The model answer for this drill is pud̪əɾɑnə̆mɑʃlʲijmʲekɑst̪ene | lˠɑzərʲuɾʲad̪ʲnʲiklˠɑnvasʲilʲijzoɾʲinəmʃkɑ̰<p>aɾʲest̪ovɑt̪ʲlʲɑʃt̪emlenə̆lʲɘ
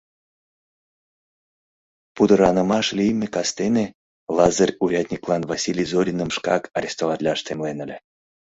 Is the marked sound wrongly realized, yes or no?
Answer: yes